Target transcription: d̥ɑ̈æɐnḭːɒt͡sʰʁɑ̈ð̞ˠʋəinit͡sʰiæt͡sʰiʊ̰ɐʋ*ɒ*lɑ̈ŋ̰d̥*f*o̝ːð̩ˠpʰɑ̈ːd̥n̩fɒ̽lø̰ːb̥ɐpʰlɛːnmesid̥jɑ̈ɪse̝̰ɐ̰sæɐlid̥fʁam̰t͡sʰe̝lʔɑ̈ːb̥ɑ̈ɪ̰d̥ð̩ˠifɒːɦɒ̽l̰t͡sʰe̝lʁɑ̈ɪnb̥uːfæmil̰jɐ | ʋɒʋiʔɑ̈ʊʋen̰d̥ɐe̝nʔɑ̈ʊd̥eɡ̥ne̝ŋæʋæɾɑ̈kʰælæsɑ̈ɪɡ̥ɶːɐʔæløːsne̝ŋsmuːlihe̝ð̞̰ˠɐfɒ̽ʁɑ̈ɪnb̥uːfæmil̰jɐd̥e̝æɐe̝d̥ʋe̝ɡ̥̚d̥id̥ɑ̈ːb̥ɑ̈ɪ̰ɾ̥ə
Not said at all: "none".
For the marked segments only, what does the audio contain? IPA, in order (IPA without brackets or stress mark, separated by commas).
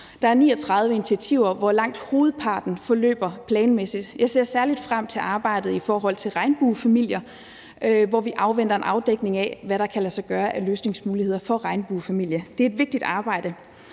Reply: ɒ, h